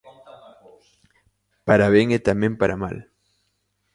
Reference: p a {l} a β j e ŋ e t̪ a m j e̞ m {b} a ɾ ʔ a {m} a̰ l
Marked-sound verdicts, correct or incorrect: incorrect: ɾ, incorrect: p, correct

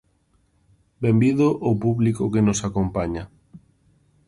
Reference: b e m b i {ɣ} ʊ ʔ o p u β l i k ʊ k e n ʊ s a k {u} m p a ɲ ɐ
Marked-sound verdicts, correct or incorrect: incorrect: ð, incorrect: o

